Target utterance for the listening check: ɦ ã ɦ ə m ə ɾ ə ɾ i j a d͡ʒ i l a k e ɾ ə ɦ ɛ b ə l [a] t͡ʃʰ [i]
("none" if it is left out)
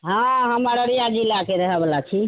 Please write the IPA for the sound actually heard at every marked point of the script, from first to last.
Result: a, i

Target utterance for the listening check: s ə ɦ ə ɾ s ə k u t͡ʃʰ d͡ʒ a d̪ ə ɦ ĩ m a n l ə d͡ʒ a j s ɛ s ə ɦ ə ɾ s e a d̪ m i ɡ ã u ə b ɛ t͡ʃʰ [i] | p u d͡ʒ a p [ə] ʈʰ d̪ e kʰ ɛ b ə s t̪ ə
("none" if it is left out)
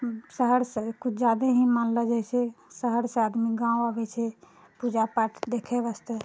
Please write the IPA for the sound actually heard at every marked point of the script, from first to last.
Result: ɛ, a

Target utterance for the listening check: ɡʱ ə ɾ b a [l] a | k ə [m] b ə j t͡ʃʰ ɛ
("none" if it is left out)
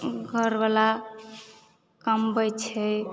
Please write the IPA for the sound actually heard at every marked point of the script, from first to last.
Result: l, m

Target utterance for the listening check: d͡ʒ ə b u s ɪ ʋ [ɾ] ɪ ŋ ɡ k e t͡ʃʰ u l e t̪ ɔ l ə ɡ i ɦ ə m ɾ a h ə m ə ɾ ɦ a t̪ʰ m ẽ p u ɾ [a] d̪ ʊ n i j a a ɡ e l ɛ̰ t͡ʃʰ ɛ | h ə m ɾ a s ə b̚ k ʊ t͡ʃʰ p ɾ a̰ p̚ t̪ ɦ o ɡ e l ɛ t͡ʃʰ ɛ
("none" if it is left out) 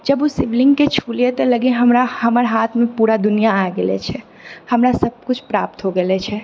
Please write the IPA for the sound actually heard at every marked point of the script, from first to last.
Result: l, a

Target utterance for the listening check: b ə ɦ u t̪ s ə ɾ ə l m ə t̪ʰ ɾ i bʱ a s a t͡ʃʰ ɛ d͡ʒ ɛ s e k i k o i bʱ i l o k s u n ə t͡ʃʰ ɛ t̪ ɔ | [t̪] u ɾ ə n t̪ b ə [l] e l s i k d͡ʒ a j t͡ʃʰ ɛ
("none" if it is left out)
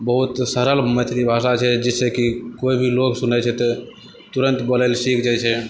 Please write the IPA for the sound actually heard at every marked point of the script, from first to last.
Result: t̪, l

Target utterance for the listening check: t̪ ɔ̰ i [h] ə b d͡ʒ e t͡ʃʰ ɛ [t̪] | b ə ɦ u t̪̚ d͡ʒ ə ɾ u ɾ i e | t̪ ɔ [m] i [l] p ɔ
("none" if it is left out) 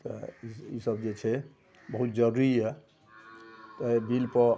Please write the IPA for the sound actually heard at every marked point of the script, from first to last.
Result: s, none, b, l

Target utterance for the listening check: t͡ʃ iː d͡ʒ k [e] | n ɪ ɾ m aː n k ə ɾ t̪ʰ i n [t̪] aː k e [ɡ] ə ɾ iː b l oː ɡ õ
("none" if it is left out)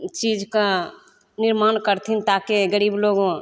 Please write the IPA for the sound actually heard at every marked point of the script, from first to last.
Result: a, t̪, ɡ

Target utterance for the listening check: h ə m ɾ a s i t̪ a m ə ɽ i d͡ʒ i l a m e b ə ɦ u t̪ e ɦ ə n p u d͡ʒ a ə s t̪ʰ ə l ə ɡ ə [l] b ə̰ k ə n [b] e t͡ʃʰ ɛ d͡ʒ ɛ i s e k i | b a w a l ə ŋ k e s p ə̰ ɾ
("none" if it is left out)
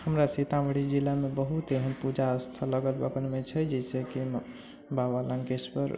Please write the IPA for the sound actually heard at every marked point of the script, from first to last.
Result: l, m

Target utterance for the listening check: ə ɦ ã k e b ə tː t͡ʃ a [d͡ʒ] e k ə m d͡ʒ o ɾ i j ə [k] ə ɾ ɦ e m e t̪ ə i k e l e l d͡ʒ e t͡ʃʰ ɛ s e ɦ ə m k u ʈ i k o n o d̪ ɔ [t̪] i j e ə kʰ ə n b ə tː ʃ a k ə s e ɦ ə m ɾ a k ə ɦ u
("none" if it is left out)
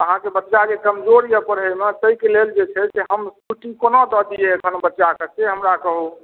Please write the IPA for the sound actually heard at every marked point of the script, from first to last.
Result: d͡ʒ, p, d̪

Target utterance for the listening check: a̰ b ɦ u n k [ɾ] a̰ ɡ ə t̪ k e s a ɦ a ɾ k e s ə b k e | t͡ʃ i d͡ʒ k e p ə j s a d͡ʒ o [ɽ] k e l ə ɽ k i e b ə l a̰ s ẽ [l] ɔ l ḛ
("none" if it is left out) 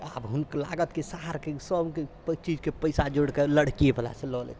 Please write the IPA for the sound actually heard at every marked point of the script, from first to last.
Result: l, ɽ, l

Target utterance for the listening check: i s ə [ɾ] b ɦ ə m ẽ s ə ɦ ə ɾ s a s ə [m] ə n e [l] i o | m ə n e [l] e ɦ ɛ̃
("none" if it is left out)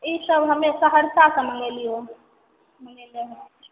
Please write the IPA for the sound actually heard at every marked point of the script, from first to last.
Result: none, m, l, l

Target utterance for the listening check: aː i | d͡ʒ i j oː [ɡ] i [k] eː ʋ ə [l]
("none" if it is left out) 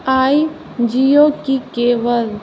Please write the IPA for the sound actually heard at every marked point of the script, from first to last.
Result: k, k, l

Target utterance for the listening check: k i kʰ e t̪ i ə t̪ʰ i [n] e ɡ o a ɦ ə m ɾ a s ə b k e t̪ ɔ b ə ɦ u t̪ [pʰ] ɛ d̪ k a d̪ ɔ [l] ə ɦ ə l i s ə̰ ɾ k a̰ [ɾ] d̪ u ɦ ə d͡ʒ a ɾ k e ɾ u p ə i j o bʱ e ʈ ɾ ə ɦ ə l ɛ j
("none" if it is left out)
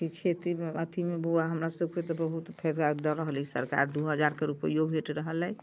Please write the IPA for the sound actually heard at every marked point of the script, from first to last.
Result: m, pʰ, ɾ, ɾ

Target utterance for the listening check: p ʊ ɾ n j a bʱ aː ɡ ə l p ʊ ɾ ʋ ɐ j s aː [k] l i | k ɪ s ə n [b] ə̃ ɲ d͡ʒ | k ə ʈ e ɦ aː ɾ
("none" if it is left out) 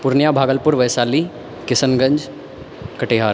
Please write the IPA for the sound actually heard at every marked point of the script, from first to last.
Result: none, ɡ

